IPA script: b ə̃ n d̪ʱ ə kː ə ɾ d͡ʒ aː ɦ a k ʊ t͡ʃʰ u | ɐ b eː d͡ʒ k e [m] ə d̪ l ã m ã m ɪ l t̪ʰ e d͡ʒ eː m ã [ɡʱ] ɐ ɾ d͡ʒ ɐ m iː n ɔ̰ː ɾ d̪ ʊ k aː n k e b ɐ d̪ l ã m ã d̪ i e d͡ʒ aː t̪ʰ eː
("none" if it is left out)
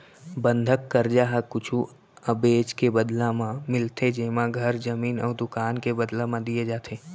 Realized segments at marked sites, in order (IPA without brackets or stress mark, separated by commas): b, ɡʱ